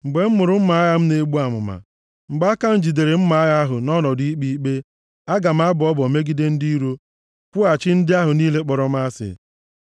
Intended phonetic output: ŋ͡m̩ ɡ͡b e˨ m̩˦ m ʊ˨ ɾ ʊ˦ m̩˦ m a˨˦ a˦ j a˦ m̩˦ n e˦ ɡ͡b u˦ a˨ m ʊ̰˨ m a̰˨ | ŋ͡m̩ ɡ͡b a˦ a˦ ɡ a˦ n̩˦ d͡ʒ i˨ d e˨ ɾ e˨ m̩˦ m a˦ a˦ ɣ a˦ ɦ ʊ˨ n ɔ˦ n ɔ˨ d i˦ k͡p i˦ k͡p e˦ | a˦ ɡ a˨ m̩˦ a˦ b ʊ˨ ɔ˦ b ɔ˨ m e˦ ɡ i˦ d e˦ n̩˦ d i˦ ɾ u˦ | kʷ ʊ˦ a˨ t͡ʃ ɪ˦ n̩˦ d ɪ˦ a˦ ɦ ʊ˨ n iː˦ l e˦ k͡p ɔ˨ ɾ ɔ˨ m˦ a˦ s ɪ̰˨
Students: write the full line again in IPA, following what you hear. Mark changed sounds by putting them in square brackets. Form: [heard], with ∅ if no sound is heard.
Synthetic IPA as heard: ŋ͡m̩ ɡ͡b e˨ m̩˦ m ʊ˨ ɾ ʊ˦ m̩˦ m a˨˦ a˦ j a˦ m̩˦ n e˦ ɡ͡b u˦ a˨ m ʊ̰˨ m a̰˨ | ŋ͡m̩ ɡ͡b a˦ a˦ [k] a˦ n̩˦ d͡ʒ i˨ d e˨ ɾ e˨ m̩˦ m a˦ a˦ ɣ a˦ ɦ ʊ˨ n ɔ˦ n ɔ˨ d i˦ k͡p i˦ k͡p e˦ | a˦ ɡ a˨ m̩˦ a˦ b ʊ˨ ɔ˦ b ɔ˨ m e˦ ɡ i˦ d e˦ n̩˦ d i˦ ɾ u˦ | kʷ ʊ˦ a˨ t͡ʃ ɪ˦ n̩˦ d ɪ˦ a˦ ɦ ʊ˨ n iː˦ l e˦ k͡p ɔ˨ ɾ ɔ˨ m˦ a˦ s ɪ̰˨